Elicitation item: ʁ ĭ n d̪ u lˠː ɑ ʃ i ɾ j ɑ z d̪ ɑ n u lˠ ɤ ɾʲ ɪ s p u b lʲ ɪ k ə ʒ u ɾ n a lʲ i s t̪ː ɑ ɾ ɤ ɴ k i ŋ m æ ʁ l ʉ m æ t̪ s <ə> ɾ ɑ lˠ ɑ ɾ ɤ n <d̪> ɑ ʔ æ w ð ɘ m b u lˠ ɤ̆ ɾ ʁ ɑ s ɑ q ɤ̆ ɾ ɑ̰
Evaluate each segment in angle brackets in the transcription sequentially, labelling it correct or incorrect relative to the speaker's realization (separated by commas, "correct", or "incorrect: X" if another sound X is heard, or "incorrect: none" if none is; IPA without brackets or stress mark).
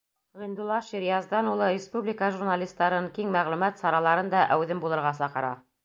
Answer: incorrect: ɑ, correct